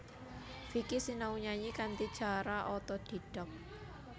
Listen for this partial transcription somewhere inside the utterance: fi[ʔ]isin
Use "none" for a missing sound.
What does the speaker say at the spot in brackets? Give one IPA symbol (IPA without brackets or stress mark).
k